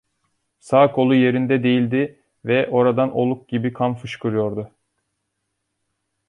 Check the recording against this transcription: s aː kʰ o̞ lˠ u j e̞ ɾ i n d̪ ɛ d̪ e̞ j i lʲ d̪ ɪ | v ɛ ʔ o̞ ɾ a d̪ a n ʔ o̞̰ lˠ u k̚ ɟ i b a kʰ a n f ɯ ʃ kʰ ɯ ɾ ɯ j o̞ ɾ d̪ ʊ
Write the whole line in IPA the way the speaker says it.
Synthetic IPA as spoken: s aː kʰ o̞ lˠ u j e̞ ɾ i n d̪ ɛ d̪ e̞ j i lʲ d̪ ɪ | v ɛ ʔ o̞ ɾ a d̪ a n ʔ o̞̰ lˠ u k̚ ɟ i b i kʰ a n f ɯ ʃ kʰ ɯ ɾ ɯ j o̞ ɾ d̪ ʊ